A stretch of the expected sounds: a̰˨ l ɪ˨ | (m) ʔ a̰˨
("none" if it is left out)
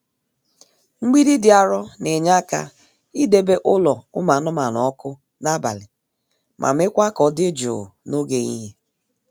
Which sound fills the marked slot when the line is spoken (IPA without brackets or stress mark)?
m